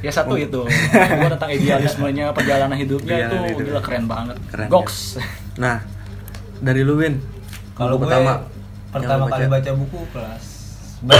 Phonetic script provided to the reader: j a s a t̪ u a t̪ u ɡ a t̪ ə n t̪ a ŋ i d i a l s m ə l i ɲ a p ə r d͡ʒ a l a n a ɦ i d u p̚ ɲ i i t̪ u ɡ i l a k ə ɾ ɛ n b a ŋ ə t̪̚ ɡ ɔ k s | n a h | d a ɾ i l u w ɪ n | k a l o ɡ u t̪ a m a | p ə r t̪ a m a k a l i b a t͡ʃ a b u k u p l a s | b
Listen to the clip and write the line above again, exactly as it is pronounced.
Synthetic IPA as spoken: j a s a t̪ u i t̪ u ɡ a t̪ ə n t̪ a ŋ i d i a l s m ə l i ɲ a p ə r d͡ʒ a l a n a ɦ i d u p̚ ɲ a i t̪ u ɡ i l a k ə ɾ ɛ n b a ŋ ə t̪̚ ɡ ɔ k s | n a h | d a ɾ i l u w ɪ n | k a l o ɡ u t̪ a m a | p ə r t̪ a m a k a l i b a t͡ʃ a b u k u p l a s | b